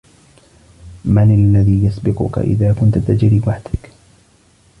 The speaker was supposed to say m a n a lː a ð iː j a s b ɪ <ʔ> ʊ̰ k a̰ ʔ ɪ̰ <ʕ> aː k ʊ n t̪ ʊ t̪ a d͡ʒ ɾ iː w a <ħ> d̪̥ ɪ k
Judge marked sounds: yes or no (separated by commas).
no, no, yes